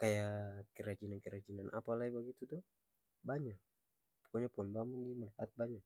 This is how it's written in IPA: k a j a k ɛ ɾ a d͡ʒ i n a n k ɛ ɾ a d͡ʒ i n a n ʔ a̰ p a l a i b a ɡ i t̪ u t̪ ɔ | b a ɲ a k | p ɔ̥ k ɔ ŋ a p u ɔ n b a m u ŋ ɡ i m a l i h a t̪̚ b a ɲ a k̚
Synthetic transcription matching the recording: k a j a k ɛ ɾ a d͡ʒ i n a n k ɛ ɾ a d͡ʒ i n a n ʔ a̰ p a l a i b a ɡ i t̪ u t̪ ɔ | b a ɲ a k | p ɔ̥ k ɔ ɲ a p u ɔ n b a m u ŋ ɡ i m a l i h a t̪̚ b a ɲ a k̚